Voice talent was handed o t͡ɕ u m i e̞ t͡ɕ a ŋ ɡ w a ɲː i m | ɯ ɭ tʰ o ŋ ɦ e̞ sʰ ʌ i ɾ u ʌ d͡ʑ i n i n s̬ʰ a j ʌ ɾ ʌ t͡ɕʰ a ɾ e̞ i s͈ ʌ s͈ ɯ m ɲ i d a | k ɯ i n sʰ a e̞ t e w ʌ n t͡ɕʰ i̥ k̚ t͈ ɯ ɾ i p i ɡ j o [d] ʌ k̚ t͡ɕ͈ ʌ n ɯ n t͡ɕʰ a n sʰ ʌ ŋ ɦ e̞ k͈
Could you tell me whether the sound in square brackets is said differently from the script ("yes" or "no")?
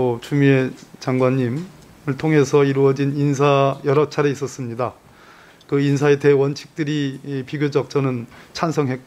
yes